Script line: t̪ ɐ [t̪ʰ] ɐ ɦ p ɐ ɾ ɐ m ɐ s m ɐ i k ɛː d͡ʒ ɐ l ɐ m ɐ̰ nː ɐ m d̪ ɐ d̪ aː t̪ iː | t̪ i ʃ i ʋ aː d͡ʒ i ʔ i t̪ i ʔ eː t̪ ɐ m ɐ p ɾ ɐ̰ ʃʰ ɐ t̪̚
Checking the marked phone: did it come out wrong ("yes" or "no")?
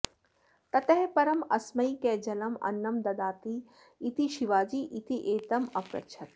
yes